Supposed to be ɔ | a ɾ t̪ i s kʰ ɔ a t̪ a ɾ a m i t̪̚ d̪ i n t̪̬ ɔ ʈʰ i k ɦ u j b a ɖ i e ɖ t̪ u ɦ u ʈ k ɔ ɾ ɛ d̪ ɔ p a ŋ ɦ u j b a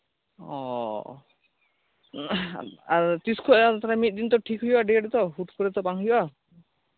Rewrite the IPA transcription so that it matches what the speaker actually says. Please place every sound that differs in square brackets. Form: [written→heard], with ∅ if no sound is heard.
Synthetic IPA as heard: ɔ | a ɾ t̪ i s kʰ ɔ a t̪ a ɾ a m i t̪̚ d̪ i n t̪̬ ɔ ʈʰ i k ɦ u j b a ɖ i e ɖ t̪ [u→ɔ] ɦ u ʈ k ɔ ɾ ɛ [d̪→t̪] ɔ p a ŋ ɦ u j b a